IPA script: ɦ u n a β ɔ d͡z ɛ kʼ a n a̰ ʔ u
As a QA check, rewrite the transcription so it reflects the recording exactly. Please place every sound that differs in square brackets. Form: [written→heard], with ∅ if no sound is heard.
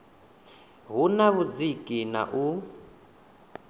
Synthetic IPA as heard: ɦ u n a β [ɔ→u] d͡z [ɛ→i] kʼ [a→i] n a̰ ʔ u

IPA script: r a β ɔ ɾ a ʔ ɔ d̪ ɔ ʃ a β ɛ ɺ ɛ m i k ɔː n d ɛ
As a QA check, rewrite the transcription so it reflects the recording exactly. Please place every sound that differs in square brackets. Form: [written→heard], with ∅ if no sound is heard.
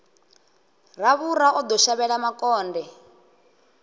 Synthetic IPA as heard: r a β [ɔ→u] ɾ a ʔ ɔ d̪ ɔ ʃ a β ɛ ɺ [ɛ→a] m [i→a] k ɔː n d ɛ

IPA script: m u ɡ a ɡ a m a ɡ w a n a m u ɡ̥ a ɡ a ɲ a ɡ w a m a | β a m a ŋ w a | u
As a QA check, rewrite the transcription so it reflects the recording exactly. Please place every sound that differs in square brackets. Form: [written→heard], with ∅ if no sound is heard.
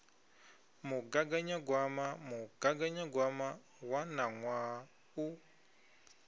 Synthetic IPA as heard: m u ɡ a ɡ a [m→ɲ] a ɡ w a [n→m] a m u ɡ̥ a ɡ a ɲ a ɡ w a m a | [β→w] a [m→n] a ŋ w a | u

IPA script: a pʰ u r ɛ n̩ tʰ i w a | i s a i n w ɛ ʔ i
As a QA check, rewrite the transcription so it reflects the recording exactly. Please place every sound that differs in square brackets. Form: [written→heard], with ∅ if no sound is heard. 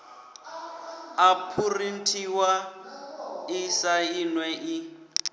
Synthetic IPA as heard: a pʰ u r [ɛ→i] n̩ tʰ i w a | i s a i n w ɛ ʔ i

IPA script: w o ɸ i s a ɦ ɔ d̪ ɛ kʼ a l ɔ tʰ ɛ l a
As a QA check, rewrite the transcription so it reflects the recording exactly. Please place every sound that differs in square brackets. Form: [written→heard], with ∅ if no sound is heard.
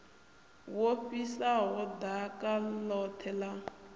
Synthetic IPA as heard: w o ɸ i s a ɦ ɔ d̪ [ɛ→a] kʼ a l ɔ tʰ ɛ l a

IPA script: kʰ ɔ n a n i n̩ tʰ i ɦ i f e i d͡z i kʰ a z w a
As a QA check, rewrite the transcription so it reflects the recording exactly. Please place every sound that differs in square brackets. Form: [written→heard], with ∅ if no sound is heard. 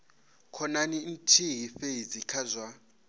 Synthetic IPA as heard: kʰ ɔ n a n i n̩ tʰ i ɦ i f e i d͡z i kʰ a z w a

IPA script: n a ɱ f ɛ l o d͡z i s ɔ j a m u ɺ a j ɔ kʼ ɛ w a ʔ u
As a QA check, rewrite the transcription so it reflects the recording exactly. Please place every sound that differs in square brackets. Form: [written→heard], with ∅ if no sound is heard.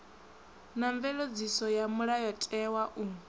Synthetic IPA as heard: n a ɱ [f→v] ɛ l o d͡z i s ɔ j a m u ɺ a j ɔ [kʼ→tʼ] ɛ w a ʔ u

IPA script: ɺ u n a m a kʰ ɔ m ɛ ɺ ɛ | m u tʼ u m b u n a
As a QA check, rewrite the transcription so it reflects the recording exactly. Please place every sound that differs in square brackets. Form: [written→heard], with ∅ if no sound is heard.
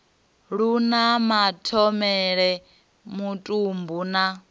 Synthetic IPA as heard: ɺ u n a m a [kʰ→tʰ] ɔ m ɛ ɺ ɛ | m u tʼ u m b u n a

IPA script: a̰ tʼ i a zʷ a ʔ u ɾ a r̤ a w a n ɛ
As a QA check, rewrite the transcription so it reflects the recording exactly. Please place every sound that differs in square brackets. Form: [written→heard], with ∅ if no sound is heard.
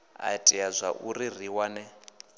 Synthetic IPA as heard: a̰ tʼ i a zʷ a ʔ u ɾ [a→i] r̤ [a→i] w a n ɛ

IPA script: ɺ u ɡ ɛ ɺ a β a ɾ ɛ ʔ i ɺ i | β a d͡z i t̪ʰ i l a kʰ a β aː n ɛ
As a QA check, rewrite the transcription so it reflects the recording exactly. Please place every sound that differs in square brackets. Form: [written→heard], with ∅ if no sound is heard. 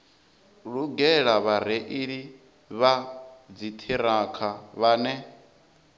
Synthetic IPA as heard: ɺ u ɡ ɛ ɺ a β a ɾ ɛ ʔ i ɺ i | β a d͡z i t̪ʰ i [l→ɾ] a kʰ a β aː n ɛ

